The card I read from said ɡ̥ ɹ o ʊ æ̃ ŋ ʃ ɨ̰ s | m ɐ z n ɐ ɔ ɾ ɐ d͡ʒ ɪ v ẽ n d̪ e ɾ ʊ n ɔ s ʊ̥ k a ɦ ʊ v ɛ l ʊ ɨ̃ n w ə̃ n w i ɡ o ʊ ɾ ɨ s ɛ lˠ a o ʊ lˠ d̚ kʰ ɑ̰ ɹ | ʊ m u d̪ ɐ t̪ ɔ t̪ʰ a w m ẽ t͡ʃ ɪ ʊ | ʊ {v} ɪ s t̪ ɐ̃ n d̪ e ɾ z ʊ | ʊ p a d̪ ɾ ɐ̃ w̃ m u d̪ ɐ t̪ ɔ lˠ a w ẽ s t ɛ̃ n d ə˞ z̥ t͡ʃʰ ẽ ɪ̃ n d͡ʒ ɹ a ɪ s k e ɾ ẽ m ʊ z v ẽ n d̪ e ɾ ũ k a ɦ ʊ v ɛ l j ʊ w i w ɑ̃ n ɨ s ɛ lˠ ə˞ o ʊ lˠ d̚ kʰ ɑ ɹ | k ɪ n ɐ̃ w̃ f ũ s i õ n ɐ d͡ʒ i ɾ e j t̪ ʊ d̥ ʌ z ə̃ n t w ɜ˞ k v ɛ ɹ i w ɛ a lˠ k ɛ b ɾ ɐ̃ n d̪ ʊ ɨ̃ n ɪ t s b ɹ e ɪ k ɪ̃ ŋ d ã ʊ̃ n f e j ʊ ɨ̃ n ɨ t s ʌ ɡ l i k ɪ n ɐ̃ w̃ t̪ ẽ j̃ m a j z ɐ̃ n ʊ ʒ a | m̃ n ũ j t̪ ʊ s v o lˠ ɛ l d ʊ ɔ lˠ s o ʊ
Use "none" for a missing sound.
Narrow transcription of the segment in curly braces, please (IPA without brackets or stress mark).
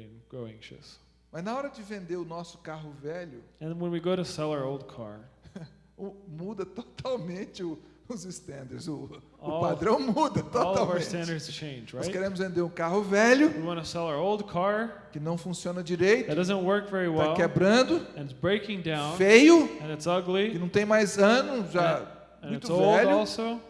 z